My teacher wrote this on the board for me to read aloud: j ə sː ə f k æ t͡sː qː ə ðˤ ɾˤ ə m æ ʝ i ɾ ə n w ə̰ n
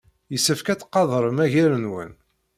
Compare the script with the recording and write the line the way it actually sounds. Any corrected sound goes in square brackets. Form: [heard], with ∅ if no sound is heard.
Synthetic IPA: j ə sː ə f k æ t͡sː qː [ɑ] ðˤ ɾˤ ə m æ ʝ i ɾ ə n w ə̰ n